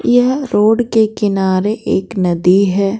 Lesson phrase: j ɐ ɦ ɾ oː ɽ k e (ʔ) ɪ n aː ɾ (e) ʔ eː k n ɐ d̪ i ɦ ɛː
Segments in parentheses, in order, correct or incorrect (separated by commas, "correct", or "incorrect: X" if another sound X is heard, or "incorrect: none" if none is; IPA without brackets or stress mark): incorrect: k, correct